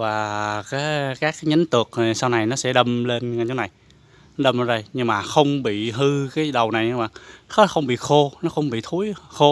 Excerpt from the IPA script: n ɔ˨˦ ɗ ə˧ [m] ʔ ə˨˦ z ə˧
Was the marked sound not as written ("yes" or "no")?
no